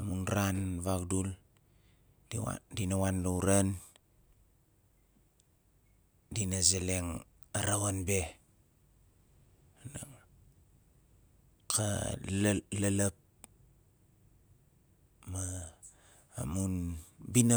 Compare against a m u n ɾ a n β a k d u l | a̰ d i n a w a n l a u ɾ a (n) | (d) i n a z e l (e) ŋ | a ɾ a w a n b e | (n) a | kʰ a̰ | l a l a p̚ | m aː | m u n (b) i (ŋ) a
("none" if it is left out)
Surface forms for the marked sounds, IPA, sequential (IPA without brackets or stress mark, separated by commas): n, d, e, n, b, n